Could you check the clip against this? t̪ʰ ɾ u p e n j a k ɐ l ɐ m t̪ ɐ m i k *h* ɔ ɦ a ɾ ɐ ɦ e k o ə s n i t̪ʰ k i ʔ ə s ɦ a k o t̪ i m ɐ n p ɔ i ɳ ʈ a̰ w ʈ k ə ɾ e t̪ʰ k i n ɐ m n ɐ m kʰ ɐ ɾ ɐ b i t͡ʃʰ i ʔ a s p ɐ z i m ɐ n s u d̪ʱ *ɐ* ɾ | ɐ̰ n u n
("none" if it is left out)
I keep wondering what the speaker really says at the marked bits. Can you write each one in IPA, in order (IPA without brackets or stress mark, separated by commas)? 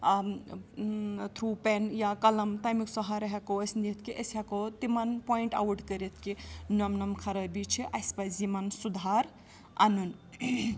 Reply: s, a